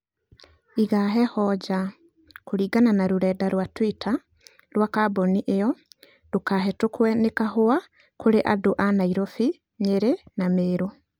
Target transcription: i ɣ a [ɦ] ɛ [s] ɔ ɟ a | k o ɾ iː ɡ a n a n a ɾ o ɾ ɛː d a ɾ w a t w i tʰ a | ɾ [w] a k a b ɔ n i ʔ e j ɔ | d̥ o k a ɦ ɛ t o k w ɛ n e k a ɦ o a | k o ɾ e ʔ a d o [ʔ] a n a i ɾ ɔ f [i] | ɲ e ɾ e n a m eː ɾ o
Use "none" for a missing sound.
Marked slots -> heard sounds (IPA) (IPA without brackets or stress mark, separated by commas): ɦ, h, w, ʔ, i